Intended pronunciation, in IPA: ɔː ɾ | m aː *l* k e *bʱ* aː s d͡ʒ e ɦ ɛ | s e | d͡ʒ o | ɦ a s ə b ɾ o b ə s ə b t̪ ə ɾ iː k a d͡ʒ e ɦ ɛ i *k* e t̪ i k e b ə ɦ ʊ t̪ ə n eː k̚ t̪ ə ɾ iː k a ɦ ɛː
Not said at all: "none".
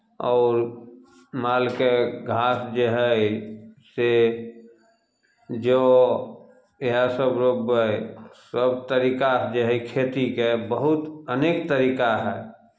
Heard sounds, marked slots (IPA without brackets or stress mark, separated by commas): l, ɡʱ, kʰ